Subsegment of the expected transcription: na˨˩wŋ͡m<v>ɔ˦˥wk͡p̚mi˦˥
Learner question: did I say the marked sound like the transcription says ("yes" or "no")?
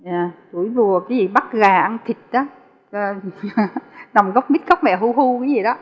no